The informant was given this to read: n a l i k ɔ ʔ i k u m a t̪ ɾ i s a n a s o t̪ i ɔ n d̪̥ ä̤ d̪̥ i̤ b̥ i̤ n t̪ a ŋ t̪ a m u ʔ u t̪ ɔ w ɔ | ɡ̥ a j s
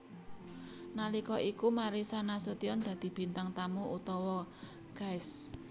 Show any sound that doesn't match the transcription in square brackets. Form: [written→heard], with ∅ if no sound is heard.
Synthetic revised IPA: n a l i k ɔ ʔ i k u m a [t̪→∅] ɾ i s a n a s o t̪ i ɔ n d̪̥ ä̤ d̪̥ i̤ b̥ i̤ n t̪ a ŋ t̪ a m u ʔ u t̪ ɔ w ɔ | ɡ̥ a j s